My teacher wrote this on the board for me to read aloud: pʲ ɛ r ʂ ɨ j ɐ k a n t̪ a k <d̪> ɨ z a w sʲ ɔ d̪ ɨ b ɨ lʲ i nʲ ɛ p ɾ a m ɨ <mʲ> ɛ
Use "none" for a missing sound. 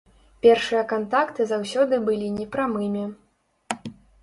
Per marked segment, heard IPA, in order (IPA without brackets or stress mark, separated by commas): t̪, mʲ